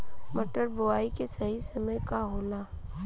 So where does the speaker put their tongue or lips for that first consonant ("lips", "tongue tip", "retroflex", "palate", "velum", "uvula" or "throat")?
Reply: lips